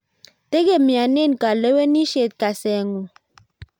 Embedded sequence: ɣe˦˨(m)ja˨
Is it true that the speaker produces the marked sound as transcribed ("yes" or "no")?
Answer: yes